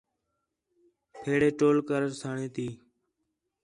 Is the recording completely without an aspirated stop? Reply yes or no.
no